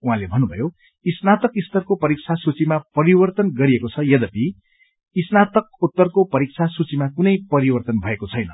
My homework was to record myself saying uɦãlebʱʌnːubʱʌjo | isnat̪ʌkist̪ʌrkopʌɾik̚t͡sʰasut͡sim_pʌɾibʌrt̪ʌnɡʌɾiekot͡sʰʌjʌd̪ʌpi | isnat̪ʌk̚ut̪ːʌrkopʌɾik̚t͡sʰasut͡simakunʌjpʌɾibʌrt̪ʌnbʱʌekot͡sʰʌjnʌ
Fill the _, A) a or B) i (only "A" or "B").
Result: A